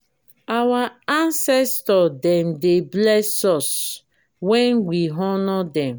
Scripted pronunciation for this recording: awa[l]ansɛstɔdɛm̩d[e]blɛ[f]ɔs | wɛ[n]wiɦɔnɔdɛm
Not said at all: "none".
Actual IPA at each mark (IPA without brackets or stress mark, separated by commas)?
none, e, s, n